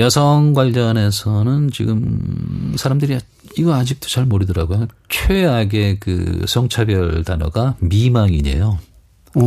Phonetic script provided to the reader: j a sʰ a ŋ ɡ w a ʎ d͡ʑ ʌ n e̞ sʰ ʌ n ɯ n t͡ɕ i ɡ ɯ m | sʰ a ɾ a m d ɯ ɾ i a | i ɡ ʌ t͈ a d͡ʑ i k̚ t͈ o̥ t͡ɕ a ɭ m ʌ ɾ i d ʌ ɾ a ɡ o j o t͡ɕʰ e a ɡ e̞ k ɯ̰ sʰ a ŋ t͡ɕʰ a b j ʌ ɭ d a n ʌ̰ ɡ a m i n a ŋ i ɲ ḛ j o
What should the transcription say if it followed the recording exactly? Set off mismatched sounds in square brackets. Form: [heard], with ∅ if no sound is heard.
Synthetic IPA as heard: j [ʌ] sʰ [ʌ] ŋ ɡ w a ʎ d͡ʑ ʌ n e̞ sʰ ʌ n ɯ n t͡ɕ i ɡ ɯ m | sʰ a ɾ a m d ɯ ɾ i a | i ɡ ʌ [∅] a d͡ʑ i k̚ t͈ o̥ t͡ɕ a ɭ m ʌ ɾ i d ʌ ɾ a ɡ o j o t͡ɕʰ e a ɡ e̞ k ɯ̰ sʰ [ʌ] ŋ t͡ɕʰ a b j ʌ ɭ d a n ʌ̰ ɡ a m i [m] a ŋ i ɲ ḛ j o